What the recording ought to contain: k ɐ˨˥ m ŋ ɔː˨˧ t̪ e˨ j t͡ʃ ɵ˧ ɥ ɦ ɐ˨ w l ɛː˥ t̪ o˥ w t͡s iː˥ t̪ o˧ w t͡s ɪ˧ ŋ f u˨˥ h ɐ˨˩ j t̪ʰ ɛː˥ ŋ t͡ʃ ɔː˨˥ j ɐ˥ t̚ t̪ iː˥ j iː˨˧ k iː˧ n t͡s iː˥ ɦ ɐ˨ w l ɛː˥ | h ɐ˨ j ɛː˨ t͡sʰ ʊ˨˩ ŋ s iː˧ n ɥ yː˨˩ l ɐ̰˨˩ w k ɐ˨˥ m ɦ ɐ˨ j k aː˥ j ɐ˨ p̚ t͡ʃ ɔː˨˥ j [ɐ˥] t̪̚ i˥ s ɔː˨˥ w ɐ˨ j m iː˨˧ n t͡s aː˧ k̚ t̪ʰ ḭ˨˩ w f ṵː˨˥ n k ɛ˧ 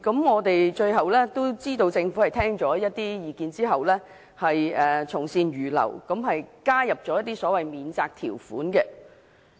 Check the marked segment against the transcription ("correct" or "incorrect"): correct